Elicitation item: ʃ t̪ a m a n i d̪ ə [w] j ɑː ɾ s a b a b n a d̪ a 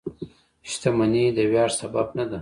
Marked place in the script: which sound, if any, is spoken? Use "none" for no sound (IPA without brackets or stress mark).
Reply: w